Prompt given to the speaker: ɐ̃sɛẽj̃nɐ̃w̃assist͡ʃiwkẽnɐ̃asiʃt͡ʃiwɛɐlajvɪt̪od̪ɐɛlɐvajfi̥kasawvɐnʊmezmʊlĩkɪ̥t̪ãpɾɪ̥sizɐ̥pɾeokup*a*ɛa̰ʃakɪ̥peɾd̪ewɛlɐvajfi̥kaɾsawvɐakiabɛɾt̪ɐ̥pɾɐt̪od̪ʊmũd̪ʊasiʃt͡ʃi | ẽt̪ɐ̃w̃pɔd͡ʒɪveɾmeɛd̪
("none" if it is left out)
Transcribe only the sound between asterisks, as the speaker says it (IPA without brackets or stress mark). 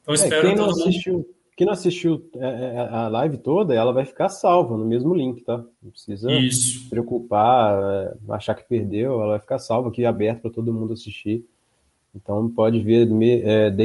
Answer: a